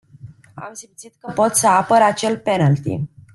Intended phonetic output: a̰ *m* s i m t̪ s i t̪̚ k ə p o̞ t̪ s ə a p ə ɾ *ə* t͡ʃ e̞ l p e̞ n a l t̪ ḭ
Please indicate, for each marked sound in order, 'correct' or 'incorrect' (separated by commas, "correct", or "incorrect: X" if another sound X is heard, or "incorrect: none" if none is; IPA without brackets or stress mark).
correct, incorrect: a